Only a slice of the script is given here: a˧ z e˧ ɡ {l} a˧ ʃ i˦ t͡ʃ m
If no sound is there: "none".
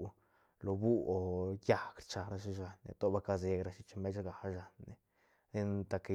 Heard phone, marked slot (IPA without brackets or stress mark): ɾ